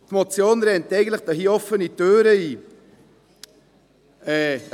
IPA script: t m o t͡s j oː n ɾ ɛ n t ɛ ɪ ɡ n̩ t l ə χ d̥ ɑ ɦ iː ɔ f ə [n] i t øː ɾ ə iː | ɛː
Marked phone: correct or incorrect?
correct